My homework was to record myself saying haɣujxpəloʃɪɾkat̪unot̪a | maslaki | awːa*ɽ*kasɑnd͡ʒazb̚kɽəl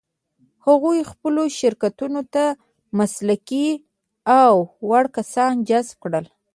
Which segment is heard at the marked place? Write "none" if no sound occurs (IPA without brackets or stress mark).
ɽ